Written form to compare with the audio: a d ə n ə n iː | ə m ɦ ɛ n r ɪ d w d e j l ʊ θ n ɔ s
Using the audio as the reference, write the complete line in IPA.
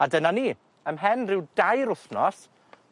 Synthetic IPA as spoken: a d ə n a n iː | ə m ɦ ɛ n r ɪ w d a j ɾ ʊ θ n ɔ s